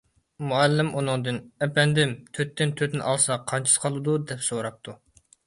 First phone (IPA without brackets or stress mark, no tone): m